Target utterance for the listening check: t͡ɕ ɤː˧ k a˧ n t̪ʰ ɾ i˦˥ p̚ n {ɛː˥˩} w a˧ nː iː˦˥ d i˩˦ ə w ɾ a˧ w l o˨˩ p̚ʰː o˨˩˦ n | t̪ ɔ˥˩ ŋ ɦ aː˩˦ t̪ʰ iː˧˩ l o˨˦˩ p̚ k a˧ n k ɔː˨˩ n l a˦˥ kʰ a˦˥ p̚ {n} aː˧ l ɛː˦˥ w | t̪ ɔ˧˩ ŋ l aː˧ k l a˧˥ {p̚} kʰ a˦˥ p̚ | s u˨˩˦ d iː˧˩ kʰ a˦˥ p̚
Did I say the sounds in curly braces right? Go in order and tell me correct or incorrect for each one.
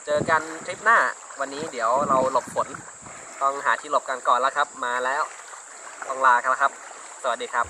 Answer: incorrect: aː˥˩, incorrect: m, incorrect: none

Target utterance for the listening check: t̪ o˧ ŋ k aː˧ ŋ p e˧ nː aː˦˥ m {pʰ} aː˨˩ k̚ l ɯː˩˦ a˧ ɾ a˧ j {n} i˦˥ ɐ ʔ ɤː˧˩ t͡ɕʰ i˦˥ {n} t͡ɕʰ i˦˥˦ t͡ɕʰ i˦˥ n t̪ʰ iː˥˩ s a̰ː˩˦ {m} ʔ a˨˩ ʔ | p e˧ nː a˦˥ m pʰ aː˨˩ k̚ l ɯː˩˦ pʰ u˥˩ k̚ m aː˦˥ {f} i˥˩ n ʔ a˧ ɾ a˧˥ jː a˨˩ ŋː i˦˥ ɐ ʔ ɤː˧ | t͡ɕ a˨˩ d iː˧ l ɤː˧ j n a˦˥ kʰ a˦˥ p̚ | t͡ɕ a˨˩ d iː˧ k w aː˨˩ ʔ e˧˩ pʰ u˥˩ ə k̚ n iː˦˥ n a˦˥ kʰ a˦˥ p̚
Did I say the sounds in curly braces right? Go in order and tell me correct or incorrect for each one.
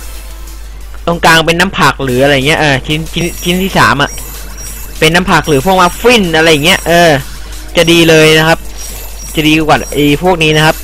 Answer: correct, incorrect: ŋ, correct, correct, correct

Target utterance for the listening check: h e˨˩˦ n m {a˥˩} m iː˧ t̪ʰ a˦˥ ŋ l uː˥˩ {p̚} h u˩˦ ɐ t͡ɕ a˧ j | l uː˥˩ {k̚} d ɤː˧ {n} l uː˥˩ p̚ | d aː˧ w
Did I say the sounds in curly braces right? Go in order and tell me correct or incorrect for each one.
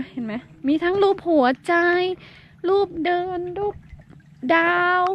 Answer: incorrect: a˦˥, correct, incorrect: p̚, correct

